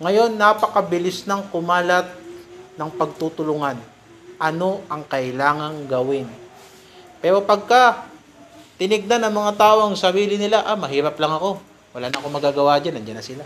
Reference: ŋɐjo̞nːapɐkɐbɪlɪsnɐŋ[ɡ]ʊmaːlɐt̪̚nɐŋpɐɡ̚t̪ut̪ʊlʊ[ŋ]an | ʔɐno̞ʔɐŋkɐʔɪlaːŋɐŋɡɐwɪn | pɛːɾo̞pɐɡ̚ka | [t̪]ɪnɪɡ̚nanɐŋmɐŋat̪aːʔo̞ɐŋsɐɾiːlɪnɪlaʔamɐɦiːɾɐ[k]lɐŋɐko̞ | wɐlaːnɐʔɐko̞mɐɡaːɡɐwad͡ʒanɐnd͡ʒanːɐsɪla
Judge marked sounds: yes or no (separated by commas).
no, yes, yes, no